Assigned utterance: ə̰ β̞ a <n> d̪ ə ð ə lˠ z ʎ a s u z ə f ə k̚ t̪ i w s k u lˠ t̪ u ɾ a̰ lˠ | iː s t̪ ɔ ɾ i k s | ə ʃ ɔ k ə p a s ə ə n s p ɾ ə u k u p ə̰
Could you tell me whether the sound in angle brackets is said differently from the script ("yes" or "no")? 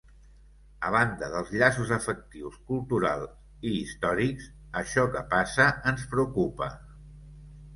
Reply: no